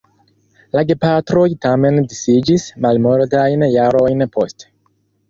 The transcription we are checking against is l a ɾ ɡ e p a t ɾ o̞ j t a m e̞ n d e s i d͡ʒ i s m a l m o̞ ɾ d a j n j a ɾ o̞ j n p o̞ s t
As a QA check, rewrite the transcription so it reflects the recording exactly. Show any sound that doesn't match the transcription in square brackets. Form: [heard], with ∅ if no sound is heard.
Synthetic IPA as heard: l a [∅] ɡ e p a t ɾ o̞ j t a m e̞ n d [i] s i d͡ʒ i s m a l m o̞ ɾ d a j n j a ɾ o̞ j n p o̞ s t